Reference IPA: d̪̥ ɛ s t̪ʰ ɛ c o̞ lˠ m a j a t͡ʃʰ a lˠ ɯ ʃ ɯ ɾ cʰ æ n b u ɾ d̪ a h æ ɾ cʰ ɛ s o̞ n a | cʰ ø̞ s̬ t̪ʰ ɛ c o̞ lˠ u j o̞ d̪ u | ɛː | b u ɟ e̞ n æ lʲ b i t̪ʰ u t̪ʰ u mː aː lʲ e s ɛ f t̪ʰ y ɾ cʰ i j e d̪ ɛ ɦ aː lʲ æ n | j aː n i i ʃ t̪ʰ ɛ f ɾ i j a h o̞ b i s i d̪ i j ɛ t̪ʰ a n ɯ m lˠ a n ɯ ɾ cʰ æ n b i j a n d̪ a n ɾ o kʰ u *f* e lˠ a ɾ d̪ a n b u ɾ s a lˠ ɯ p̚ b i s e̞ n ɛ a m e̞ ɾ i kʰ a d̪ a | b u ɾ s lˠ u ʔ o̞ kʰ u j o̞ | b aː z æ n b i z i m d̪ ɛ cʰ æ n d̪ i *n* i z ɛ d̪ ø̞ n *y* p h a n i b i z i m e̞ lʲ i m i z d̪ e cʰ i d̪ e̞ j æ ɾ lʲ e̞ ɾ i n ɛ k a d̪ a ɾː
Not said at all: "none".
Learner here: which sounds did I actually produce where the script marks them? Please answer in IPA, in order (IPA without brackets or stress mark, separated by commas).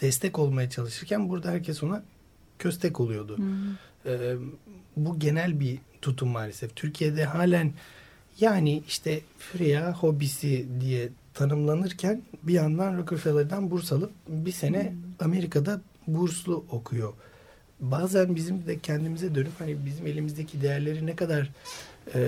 f, m, y